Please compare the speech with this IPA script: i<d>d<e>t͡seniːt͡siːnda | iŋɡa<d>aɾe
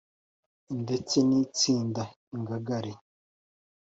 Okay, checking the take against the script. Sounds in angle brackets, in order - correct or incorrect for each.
incorrect: n, correct, incorrect: ɡ

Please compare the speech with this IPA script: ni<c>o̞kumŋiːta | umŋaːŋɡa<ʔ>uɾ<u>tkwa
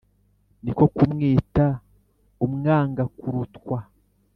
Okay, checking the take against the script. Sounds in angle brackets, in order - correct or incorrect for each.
incorrect: k, incorrect: k, correct

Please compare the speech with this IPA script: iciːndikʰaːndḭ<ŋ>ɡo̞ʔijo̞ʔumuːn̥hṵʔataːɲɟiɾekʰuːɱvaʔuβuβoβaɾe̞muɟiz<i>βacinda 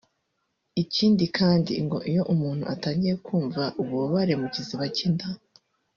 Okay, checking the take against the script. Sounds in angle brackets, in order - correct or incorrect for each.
correct, correct

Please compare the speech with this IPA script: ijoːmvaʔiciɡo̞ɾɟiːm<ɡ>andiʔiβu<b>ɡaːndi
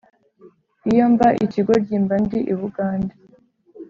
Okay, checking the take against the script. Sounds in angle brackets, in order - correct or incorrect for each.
incorrect: b, incorrect: none

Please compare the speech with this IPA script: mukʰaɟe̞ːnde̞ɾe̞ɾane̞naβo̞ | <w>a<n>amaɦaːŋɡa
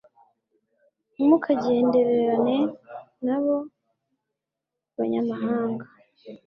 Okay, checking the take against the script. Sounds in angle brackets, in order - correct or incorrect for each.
incorrect: β, incorrect: ɲ

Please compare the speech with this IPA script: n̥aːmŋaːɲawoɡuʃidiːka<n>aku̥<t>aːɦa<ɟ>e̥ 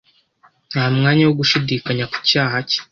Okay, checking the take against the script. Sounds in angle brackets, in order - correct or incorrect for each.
incorrect: ɲ, incorrect: c, incorrect: c

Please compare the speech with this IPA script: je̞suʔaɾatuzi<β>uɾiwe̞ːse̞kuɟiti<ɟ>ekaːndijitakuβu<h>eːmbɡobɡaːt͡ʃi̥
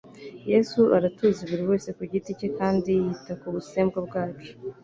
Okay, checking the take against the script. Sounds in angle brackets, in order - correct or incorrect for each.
correct, incorrect: c, incorrect: s

